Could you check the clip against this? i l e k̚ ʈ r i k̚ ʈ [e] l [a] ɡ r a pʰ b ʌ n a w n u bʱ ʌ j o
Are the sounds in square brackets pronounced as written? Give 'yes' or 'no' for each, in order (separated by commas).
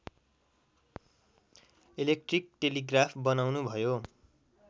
yes, no